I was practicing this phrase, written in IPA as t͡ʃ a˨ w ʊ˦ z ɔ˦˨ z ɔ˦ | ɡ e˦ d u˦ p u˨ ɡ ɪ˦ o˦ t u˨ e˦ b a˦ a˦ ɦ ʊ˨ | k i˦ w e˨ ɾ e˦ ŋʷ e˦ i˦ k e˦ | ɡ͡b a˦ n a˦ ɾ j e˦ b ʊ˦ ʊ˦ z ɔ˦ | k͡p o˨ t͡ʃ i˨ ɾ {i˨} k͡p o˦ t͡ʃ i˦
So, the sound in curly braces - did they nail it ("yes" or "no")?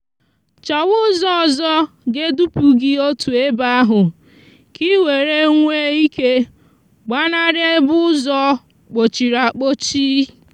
no